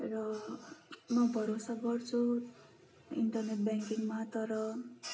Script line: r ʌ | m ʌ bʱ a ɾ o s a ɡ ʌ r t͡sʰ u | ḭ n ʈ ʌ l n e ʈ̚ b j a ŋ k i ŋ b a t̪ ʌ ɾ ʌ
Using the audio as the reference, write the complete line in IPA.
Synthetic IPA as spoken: r ʌ | m ʌ bʱ ʌ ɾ o s a ɡ ʌ r t͡sʰ u | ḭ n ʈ ʌ r n e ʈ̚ b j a ŋ k i ŋ m a t̪ ʌ ɾ ʌ